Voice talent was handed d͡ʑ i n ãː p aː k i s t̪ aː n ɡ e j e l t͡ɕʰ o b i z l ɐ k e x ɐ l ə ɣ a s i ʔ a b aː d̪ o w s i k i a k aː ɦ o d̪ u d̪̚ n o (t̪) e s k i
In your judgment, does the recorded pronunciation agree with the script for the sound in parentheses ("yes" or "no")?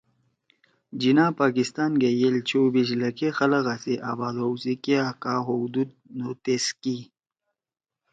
yes